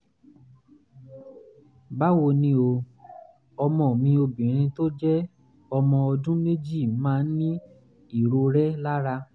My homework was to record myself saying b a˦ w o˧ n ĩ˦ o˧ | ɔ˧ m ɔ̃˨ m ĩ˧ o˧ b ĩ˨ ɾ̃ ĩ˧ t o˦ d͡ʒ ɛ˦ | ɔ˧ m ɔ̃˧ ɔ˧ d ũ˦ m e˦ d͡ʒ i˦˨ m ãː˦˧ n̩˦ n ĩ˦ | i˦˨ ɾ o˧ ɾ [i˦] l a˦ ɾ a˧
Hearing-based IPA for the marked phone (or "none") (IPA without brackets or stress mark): ɛ˦